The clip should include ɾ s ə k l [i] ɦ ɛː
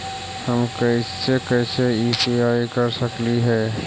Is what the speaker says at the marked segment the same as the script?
yes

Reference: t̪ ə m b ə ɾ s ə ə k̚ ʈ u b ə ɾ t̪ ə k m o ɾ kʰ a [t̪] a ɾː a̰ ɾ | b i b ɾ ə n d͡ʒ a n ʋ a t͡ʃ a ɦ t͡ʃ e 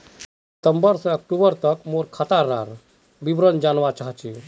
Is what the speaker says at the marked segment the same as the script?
yes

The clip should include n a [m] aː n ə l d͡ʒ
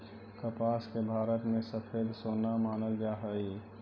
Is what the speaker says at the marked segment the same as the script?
yes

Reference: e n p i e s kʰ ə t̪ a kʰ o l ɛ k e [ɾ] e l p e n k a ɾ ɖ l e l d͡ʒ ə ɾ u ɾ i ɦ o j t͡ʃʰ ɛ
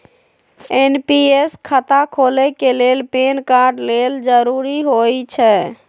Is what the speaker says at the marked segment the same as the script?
no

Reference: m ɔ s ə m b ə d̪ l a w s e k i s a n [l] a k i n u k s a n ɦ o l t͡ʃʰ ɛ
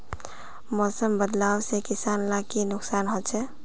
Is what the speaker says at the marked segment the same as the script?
yes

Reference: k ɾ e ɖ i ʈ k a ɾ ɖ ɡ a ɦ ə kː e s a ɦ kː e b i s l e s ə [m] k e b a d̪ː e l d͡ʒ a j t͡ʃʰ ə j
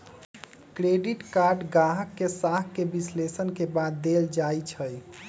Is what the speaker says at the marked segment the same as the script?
no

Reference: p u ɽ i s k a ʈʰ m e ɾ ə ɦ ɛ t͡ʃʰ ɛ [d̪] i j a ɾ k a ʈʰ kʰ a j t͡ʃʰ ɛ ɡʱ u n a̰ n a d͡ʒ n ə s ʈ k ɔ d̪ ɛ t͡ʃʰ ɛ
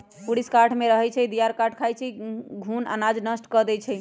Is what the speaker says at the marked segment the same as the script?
yes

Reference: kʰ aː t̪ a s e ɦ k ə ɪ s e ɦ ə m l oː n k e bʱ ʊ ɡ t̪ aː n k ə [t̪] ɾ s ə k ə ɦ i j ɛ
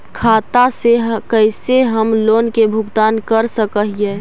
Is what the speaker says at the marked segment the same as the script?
no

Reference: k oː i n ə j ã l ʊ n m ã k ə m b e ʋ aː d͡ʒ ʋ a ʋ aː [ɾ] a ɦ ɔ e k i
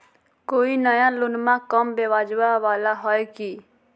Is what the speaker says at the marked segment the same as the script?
no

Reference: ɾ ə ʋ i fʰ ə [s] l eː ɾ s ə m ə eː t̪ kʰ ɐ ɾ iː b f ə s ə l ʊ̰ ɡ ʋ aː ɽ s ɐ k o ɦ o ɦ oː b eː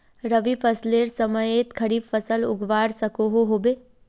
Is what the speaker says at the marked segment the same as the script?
yes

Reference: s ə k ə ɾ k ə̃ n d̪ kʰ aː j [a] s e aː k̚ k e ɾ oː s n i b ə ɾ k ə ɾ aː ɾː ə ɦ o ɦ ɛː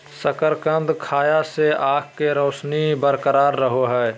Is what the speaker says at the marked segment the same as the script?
yes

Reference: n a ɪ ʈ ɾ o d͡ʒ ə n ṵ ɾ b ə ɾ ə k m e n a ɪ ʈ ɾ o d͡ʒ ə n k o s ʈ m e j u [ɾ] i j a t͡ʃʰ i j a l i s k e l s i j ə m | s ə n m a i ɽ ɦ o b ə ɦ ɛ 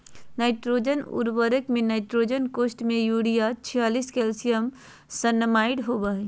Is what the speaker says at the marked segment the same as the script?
no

